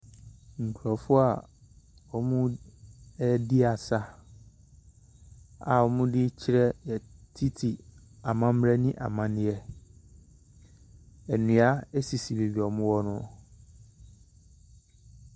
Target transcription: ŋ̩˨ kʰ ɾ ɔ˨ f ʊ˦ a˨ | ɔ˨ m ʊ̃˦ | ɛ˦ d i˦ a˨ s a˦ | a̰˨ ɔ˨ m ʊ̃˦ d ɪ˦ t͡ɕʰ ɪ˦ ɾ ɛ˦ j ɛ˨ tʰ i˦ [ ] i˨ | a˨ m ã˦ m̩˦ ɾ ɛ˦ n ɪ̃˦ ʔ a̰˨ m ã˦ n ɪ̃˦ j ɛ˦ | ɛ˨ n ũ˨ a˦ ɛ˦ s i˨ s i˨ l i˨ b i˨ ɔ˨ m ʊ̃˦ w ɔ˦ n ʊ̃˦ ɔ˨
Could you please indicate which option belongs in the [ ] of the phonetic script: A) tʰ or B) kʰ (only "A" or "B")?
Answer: A